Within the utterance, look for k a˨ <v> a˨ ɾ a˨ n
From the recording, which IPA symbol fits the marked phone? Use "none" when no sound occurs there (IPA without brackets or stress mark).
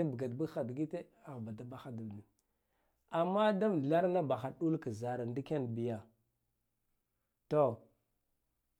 z